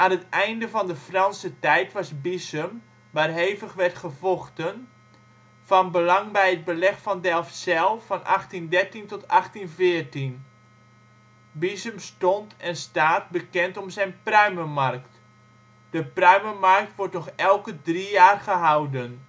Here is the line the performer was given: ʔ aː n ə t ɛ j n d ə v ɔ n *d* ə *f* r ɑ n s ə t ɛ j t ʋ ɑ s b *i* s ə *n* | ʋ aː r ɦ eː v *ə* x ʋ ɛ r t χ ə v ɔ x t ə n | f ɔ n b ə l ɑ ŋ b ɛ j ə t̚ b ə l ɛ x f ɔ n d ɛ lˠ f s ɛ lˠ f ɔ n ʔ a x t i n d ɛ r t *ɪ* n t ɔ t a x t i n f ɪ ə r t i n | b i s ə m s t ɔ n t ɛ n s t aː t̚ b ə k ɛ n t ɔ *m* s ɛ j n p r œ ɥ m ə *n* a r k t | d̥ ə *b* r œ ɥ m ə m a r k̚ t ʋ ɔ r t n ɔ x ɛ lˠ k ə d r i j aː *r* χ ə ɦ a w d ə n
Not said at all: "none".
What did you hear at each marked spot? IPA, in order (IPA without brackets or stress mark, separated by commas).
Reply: d, f, i, m, ə, i, m, m, p, r